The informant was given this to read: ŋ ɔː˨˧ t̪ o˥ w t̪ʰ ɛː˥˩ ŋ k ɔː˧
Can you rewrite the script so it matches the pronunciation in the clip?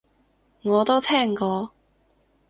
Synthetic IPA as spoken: ŋ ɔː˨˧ t̪ o˥ w t̪ʰ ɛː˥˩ ŋ k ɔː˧